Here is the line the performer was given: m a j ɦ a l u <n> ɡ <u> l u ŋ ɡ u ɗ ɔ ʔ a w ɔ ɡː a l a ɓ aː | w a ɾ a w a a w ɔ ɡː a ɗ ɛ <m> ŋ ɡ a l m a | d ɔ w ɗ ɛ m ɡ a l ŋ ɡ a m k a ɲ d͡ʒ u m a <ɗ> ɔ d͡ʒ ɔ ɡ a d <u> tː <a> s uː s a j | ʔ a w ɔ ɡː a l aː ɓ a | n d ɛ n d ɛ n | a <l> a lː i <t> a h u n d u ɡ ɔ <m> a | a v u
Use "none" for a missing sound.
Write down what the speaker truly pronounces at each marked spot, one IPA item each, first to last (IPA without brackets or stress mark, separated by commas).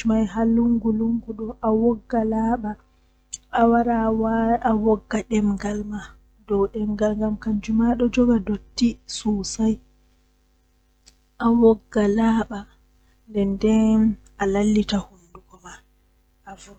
ŋ, u, m, ɗ, o, i, l, t, m